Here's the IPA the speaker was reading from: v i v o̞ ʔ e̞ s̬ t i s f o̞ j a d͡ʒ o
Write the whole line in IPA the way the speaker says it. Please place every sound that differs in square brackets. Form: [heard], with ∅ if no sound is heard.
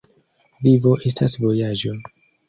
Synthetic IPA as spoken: v i v o̞ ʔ e̞ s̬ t [a] s [v] o̞ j a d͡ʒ o